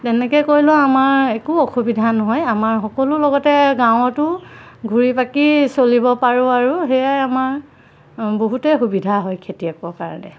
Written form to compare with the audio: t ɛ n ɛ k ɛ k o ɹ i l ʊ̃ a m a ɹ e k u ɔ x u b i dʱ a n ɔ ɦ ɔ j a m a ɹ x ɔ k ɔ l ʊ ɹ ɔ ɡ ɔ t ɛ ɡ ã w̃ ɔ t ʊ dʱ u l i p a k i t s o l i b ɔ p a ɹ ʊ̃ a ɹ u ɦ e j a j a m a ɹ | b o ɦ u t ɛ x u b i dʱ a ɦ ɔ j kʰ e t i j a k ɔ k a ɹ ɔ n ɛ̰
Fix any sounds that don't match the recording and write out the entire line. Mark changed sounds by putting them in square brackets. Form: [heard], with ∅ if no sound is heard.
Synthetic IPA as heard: t ɛ n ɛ k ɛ k o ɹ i l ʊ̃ a m a ɹ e k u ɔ x u b i dʱ a n ɔ ɦ ɔ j a m a ɹ x ɔ k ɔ l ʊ [l] ɔ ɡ ɔ t ɛ ɡ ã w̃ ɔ t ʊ [ɡʱ] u [ɹ] i p a k i [∅] s o l i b ɔ p a ɹ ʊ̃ a ɹ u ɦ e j a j a m a ɹ | b o ɦ u t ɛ x u b i dʱ a ɦ ɔ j kʰ e t i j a k ɔ k a ɹ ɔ n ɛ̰